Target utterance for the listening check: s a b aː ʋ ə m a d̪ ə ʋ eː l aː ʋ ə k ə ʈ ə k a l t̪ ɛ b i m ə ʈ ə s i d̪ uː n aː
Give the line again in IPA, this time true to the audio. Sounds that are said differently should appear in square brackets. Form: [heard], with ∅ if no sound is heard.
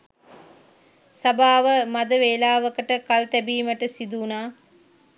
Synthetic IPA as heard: s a b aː ʋ ə m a d̪ ə ʋ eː l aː ʋ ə k ə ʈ ə k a l t̪ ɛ b [iː] m ə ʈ ə s i d̪ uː n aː